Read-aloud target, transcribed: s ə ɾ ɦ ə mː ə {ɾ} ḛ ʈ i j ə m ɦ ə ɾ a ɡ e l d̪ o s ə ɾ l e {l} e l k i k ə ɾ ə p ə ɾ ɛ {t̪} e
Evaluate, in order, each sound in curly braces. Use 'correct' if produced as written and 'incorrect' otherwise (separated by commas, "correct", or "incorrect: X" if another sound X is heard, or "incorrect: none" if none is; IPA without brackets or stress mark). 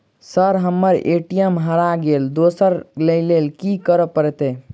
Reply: correct, correct, correct